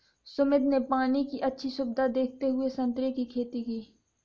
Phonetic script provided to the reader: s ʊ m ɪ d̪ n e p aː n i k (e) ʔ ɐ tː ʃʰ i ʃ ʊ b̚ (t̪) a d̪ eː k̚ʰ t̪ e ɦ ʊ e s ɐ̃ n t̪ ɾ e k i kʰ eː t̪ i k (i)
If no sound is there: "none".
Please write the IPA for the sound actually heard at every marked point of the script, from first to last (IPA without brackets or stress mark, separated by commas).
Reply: i, d̪, iː